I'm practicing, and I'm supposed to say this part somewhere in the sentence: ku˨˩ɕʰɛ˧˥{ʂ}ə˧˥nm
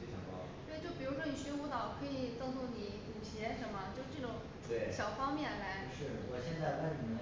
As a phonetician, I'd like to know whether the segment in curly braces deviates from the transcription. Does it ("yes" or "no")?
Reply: no